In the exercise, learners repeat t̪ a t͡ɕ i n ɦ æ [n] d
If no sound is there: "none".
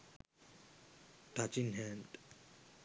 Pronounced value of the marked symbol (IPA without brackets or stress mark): n